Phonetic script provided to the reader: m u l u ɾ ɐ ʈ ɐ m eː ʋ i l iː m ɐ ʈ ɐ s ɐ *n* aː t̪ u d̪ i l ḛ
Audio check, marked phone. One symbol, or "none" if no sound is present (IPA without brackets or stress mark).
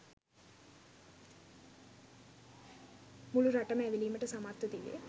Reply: m